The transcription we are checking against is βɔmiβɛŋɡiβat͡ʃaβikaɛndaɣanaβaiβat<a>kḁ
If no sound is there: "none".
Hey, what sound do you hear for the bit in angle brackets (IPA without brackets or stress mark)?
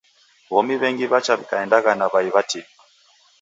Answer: i